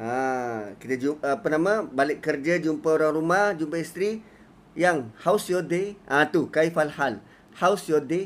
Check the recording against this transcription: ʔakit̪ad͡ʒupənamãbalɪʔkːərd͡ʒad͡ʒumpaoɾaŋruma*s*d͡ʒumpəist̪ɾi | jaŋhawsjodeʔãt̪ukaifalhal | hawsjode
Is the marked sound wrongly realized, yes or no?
yes